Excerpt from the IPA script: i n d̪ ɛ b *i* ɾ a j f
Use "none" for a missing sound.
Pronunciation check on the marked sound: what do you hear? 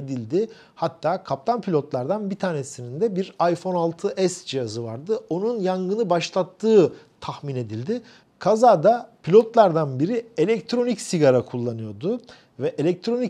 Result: i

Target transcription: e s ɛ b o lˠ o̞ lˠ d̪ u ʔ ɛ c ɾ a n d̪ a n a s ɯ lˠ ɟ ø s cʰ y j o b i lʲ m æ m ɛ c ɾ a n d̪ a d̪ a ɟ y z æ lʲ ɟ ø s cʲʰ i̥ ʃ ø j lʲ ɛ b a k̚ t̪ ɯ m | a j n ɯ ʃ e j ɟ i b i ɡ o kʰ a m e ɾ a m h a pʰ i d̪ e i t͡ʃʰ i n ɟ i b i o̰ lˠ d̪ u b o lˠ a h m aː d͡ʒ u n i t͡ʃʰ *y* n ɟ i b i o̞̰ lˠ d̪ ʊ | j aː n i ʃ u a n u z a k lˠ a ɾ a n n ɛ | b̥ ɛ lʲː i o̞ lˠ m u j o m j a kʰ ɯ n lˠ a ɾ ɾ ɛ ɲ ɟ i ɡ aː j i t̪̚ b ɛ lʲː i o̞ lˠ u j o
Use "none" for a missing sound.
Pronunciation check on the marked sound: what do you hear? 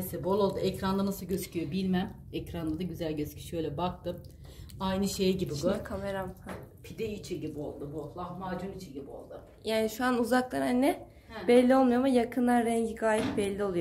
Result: i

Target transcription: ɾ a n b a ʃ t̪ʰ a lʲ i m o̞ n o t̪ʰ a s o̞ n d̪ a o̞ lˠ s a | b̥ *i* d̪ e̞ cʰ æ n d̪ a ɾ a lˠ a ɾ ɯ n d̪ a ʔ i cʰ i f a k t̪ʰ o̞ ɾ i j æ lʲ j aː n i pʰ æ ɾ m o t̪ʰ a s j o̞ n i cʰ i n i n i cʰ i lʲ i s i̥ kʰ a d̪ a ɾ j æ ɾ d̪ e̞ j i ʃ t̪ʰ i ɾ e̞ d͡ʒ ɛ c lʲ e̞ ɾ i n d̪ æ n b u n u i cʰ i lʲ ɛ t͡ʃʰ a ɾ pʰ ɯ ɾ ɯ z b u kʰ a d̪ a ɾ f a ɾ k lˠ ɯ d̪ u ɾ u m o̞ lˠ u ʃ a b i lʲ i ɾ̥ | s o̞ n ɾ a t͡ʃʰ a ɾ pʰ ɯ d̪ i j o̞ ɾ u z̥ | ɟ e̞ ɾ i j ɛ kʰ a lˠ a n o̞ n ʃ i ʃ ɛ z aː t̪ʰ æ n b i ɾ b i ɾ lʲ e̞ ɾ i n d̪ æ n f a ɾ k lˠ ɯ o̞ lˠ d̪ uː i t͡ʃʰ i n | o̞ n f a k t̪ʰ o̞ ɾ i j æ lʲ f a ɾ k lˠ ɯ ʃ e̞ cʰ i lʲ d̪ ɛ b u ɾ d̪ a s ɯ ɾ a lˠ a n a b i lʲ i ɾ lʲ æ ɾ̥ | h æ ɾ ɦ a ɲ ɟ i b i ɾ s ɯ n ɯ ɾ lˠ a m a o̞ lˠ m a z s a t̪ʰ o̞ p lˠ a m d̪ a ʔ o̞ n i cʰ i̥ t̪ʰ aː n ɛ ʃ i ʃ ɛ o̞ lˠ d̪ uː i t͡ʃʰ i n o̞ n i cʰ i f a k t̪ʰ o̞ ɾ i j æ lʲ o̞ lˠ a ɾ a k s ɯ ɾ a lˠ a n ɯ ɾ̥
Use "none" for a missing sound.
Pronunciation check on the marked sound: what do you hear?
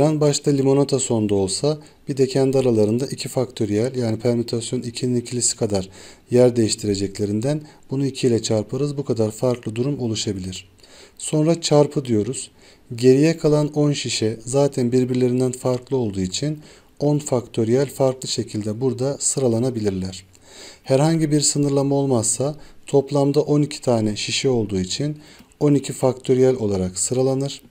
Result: i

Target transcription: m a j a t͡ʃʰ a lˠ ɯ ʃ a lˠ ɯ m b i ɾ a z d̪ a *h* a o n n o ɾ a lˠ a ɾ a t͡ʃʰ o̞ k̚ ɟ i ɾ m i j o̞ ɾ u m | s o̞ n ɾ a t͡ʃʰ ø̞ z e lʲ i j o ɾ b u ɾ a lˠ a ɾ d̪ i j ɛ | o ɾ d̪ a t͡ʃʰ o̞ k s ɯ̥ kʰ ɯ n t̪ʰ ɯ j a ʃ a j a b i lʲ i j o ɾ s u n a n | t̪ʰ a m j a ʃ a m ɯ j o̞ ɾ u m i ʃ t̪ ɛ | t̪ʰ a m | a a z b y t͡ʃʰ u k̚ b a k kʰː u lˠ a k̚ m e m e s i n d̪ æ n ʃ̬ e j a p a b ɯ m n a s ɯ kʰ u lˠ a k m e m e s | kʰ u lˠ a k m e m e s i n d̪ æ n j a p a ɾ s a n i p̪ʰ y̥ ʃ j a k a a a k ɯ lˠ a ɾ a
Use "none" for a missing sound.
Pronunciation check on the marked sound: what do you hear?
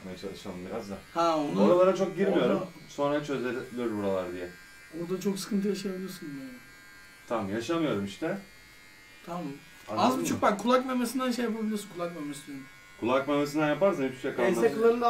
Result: h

